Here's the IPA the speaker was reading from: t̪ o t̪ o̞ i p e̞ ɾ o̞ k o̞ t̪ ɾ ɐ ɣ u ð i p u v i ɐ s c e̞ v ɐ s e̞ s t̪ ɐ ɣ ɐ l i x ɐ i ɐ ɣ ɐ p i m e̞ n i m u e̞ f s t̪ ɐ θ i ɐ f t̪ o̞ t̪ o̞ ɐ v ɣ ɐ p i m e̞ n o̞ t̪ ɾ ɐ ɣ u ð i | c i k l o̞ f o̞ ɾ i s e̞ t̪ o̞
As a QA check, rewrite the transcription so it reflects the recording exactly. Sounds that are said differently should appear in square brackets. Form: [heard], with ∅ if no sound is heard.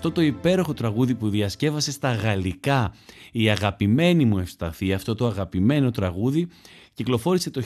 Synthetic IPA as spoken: t̪ o t̪ o̞ i p e̞ ɾ o̞ [x] o̞ t̪ ɾ ɐ ɣ u ð i p u [ð] i ɐ s c e̞ v ɐ s e̞ s t̪ ɐ ɣ ɐ l i [k] ɐ i ɐ ɣ ɐ p i m e̞ n i m u e̞ f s t̪ ɐ θ i ɐ f t̪ o̞ t̪ o̞ ɐ [∅] ɣ ɐ p i m e̞ n o̞ t̪ ɾ ɐ ɣ u ð i | c i k l o̞ f o̞ ɾ i s e̞ t̪ o̞